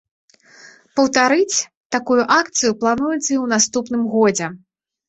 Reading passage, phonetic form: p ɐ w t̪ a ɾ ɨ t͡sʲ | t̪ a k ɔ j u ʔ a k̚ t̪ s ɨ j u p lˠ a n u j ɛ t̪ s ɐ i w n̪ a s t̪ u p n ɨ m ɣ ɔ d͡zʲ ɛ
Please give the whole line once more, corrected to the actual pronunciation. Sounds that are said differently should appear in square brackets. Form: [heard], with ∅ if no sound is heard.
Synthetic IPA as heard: p ɐ w t̪ a ɾ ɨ t͡sʲ | t̪ a k [u] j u ʔ a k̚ t̪ s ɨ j u p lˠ a n u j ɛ t̪ s ɐ i w n̪ a s t̪ u p n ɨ m ɣ ɔ d͡zʲ ɛ